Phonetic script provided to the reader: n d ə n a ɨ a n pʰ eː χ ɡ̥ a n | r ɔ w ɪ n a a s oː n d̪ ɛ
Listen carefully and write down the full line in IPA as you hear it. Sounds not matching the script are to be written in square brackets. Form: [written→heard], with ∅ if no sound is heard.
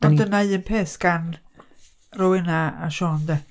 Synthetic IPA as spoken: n d ə n a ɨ [a→ə] n pʰ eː [χ→s] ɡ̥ a n | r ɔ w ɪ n a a [s→ʃ] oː n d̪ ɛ